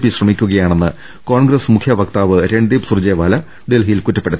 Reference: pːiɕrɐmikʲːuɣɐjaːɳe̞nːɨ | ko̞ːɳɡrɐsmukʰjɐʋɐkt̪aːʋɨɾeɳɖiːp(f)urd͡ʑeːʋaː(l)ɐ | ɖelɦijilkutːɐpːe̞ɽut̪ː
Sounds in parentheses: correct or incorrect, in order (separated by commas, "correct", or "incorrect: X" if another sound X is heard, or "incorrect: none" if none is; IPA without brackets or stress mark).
incorrect: s, correct